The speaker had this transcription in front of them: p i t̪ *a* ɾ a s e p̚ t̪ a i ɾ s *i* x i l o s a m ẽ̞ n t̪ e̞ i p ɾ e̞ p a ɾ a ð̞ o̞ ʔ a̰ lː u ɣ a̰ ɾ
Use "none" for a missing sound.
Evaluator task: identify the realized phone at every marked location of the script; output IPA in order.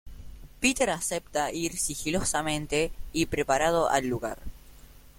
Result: e, i

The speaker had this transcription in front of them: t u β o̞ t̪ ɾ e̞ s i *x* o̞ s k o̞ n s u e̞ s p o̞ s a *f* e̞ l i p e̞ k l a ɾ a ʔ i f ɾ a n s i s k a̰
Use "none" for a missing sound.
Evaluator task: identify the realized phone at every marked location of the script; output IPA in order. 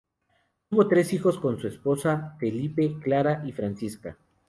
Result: x, f

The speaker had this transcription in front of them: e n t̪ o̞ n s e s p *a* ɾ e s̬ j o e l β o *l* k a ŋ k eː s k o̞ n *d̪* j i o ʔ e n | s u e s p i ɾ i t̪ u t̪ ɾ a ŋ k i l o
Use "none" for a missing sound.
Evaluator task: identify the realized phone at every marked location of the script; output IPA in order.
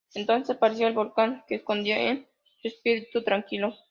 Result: a, l, d̪

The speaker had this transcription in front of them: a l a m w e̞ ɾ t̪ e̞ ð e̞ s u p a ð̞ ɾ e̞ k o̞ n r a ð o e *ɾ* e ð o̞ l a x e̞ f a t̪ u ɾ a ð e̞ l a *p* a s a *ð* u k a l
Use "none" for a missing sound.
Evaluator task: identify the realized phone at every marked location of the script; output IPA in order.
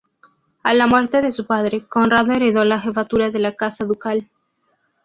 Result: ɾ, k, ð

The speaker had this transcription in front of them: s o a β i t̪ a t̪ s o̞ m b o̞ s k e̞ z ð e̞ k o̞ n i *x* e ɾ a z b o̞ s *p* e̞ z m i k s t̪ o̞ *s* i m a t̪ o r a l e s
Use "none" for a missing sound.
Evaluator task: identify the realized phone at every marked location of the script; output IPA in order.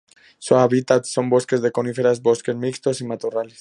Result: f, k, s

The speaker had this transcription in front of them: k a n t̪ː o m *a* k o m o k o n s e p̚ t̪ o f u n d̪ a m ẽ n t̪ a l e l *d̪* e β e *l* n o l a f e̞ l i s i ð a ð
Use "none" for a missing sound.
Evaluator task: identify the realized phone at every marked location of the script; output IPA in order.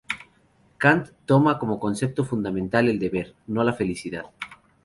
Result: a, d̪, ɾ

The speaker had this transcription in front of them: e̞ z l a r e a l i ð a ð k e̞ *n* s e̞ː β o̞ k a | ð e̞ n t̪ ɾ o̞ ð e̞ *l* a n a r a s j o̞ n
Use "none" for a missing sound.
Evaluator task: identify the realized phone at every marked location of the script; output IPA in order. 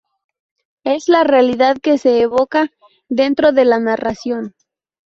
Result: none, l

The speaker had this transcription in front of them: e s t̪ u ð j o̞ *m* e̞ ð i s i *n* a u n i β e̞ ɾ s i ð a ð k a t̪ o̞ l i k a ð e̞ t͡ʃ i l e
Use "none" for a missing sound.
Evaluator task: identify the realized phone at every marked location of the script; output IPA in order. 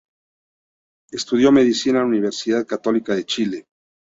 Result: m, n

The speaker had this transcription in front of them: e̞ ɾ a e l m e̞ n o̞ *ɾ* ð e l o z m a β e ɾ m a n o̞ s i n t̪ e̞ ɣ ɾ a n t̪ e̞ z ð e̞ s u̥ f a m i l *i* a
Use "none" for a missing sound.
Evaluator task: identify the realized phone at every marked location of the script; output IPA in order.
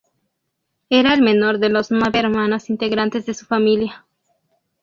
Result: ɾ, j

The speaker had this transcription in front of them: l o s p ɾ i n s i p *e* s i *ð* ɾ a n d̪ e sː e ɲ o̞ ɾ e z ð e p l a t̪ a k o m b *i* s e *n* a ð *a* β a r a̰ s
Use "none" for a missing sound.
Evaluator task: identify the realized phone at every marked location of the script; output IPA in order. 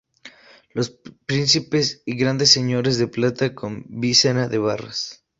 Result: e, ɣ, i, n, e

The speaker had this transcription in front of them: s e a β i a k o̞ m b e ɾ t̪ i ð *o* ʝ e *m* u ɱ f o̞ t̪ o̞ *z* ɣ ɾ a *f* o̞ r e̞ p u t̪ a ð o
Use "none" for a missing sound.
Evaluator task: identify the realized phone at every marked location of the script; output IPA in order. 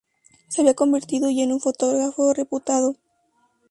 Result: o, n, ɣ, f

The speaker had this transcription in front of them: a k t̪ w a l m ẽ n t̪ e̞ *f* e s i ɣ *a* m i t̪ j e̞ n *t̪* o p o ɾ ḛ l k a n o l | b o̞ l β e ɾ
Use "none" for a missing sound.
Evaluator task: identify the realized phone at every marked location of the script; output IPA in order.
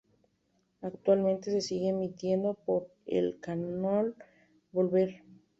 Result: s, e, d̪

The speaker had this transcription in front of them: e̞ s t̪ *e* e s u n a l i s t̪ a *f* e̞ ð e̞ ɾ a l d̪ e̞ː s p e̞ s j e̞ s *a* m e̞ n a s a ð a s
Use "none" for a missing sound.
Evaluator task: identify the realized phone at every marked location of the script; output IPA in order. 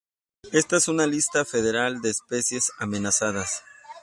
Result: a, f, a

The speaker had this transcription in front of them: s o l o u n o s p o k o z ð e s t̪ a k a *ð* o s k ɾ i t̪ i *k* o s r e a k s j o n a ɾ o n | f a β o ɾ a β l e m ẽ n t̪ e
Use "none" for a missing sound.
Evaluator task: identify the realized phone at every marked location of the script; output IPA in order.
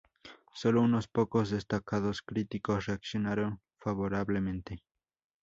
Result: ð, k

